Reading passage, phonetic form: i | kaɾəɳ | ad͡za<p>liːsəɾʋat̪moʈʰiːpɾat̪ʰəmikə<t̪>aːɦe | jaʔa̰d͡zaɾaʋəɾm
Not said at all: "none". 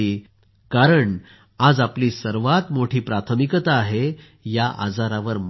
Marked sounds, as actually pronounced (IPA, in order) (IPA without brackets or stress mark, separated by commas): p, t̪